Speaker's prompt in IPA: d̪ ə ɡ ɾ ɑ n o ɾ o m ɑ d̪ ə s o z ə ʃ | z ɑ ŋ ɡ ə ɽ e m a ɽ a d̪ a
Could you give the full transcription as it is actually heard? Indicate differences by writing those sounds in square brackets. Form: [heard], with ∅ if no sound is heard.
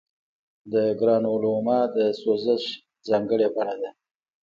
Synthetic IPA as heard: d̪ ə ɡ ɾ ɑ n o [l] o m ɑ d̪ ə s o z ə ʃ | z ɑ ŋ ɡ ə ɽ e [b] a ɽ a d̪ a